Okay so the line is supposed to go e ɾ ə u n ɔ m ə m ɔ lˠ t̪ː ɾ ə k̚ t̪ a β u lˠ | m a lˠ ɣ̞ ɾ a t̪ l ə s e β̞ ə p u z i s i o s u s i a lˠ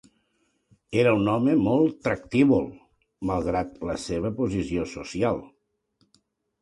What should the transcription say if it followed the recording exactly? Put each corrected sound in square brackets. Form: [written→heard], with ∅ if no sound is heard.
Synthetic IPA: e ɾ ə u n ɔ m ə m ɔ lˠ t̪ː ɾ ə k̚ t̪ [a→i] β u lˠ | m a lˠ ɣ̞ ɾ a t̪ l ə s e β̞ ə p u z i s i o s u s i a lˠ